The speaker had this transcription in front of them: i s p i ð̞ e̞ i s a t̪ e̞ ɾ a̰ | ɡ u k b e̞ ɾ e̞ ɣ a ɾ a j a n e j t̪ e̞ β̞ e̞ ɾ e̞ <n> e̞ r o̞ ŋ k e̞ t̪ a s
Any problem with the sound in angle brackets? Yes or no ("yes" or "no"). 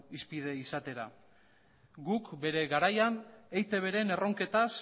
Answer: no